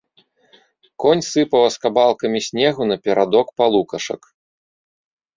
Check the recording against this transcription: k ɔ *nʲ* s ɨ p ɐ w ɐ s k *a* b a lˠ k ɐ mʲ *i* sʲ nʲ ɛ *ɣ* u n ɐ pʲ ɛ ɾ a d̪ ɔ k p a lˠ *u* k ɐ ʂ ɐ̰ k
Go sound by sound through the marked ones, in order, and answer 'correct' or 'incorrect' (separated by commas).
correct, correct, correct, correct, correct